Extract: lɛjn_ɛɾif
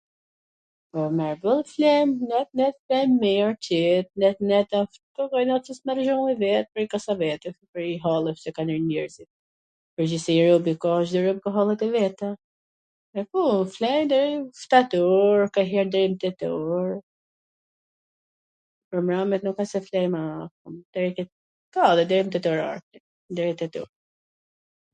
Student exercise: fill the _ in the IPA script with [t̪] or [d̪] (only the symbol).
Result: d̪